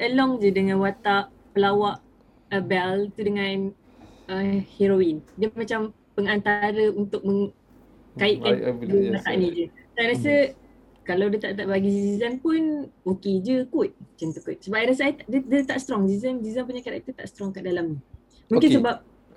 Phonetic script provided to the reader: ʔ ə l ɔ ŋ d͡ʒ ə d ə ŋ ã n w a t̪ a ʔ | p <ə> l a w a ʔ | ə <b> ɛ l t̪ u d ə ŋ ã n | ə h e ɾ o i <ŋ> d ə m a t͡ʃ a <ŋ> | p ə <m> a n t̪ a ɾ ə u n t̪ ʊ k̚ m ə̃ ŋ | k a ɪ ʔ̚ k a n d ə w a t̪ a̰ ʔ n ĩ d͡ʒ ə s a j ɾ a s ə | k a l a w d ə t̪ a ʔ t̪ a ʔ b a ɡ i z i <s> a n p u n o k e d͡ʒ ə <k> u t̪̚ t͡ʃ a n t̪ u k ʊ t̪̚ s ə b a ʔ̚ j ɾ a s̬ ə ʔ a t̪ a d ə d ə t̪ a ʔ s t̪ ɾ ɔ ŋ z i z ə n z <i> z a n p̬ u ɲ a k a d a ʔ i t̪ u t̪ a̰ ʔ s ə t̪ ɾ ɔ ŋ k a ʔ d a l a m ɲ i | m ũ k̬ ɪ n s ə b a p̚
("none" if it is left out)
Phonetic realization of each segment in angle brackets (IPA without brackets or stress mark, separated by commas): ə, b, n, m, ŋ, z, k, i